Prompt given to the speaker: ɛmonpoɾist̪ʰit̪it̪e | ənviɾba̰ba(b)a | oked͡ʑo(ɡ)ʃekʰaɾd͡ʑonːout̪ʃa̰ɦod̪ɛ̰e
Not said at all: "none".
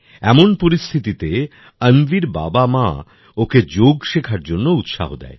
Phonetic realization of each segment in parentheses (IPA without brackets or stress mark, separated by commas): m, ɡ